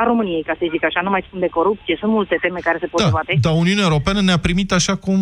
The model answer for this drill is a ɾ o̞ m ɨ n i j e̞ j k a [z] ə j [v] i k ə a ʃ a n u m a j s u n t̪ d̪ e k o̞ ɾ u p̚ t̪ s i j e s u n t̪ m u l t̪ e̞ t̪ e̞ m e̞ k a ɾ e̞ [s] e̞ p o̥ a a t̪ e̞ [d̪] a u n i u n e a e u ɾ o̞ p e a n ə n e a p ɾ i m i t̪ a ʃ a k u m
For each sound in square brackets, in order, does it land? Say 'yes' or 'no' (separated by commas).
no, no, yes, yes